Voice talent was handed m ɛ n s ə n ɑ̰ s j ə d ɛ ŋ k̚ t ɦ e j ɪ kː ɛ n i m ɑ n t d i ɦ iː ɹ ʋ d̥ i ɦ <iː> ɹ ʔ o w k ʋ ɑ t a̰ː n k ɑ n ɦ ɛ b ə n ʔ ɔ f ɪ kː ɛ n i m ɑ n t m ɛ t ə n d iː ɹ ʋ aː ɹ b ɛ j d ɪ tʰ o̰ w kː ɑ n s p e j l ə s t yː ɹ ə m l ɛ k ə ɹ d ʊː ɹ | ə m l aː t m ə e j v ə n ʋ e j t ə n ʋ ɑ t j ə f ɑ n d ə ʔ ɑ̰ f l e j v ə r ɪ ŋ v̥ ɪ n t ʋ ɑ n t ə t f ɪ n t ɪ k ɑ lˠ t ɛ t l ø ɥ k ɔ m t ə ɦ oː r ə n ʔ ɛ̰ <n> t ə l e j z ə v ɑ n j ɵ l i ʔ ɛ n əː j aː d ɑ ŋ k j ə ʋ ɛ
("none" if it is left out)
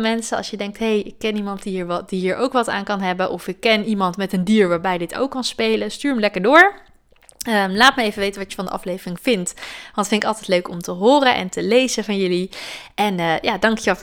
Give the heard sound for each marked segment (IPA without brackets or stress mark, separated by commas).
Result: iː, n